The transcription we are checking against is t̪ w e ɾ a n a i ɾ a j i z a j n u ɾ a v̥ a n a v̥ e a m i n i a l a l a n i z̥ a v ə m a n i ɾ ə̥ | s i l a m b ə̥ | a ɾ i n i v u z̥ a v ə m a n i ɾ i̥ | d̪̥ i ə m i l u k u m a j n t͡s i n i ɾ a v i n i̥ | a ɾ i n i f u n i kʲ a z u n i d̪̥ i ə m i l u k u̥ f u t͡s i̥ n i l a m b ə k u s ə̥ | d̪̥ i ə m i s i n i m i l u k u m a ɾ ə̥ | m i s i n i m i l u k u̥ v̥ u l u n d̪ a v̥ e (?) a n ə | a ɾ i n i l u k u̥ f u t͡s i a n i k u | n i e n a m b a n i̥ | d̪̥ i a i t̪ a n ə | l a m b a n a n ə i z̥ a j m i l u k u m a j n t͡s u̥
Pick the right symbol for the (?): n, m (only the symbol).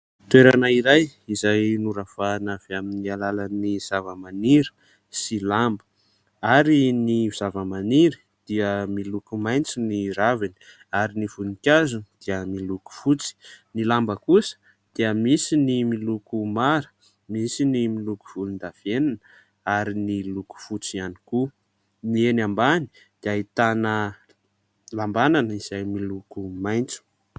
n